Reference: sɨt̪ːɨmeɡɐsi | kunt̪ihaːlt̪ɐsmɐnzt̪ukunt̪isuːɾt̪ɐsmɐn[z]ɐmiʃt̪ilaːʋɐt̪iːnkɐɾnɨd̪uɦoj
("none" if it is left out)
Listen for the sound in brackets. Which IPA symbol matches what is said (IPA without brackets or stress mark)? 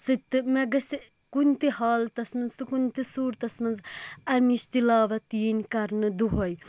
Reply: z